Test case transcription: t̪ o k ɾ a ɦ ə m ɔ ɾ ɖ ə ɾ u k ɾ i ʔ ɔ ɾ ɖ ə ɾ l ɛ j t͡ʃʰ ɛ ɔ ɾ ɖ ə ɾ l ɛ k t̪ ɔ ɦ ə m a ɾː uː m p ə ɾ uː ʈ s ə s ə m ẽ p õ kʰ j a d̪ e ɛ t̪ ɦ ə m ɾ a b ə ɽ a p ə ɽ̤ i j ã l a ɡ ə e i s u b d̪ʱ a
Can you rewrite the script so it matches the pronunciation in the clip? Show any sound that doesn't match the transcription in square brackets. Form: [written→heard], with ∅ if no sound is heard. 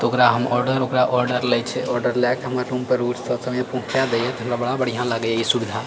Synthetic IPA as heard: t̪ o k ɾ a ɦ ə m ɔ ɾ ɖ ə ɾ [u→o] k ɾ [i→a] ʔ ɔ ɾ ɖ ə ɾ l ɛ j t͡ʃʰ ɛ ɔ ɾ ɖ ə ɾ l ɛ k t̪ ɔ ɦ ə m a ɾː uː m p ə ɾ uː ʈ s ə s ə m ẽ p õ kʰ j a d̪ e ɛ t̪ ɦ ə m ɾ a b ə ɽ a [p→b] ə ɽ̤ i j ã l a ɡ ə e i s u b d̪ʱ a